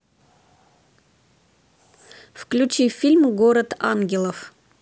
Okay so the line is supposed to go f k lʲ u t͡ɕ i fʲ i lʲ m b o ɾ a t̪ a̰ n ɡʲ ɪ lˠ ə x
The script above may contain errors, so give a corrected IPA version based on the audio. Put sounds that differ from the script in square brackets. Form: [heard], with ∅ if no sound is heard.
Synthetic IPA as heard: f k lʲ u t͡ɕ i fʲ i lʲ m [ɡ] o ɾ [ə] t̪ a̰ n ɡʲ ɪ lˠ ə [f]